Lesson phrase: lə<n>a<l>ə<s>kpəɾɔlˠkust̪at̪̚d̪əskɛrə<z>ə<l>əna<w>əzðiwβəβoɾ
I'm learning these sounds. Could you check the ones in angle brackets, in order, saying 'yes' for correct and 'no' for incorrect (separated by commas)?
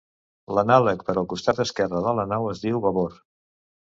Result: yes, yes, no, no, yes, yes